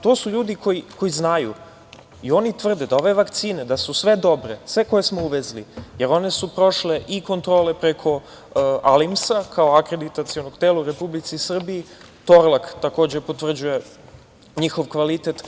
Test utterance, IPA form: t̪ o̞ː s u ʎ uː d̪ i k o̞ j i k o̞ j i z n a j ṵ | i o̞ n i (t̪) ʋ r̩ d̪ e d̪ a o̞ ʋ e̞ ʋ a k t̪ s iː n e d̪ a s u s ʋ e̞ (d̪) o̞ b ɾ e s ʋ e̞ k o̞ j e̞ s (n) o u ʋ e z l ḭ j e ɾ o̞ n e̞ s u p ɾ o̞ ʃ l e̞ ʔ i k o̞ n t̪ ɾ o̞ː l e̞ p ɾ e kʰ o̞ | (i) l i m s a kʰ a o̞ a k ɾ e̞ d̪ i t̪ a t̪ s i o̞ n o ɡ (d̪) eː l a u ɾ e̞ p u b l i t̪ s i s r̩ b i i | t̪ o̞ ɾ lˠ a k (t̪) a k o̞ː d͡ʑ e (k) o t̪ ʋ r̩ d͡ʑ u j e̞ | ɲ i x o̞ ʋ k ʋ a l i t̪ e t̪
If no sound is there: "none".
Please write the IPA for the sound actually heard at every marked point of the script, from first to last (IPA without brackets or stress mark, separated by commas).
t̪, d̪, m, a, t̪, t̪, p